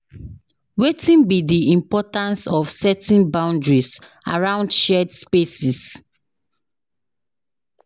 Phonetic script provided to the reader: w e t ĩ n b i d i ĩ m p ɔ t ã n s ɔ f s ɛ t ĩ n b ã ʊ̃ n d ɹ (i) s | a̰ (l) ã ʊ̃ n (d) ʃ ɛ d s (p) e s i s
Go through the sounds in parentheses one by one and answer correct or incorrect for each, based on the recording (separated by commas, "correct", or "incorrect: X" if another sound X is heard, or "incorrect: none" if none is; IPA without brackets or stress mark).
correct, incorrect: ɹ, correct, correct